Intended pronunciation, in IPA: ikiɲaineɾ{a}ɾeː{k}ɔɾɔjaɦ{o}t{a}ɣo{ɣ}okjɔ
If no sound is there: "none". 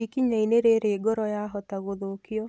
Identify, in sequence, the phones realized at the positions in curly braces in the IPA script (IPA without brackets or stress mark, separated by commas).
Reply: e, ɡ, ɔ, a, ð